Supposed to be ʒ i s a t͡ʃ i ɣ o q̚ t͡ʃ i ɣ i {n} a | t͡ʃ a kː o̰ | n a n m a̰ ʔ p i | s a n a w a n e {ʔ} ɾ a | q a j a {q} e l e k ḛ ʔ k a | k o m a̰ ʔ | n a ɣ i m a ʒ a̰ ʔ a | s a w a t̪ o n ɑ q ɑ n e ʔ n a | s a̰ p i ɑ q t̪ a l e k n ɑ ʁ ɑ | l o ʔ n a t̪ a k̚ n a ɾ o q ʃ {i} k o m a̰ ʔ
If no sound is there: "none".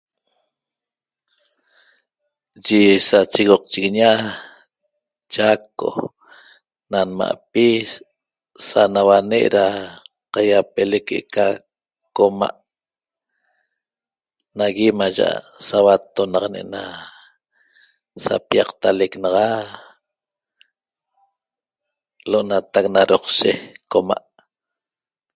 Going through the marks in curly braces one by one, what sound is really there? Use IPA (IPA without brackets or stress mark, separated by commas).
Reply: ɲ, ʔ, p, e